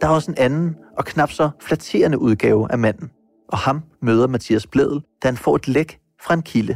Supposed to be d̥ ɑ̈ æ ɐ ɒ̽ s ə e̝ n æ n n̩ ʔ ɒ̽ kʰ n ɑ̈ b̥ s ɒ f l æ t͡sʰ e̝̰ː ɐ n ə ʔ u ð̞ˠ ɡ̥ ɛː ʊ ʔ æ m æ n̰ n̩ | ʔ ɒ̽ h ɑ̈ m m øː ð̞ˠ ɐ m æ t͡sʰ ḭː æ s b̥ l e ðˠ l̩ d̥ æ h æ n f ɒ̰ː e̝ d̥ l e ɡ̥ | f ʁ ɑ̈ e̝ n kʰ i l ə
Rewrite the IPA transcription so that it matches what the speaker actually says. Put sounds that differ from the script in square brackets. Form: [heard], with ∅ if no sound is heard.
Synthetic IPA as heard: d̥ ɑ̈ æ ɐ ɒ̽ s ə e̝ n æ n n̩ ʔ ɒ̽ kʰ n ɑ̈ b̥ s ɒ f l æ t͡sʰ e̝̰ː ɐ n ə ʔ u ð̞ˠ ɡ̥ ɛː ʊ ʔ æ m æ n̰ n̩ | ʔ ɒ̽ h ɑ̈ m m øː ð̞ˠ ɐ m æ t͡sʰ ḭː æ s b̥ l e ðˠ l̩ d̥ æ h æ n f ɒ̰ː e̝ d̥ l e ɡ̥ | f ʁ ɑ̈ e̝ n kʰ i l ə